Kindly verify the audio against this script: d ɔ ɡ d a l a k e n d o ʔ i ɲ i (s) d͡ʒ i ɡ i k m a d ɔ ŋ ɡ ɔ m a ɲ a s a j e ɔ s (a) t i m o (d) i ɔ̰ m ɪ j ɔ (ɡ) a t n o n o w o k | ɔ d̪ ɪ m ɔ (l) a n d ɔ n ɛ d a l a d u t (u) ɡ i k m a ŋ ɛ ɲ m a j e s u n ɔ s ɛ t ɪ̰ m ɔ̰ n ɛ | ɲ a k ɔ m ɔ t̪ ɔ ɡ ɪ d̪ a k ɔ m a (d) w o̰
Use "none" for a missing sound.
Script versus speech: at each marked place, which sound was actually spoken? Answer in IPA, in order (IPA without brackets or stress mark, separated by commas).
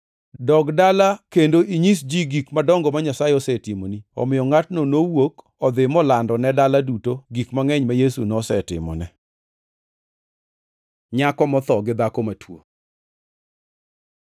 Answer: s, ɛ, n, ŋ, l, o, t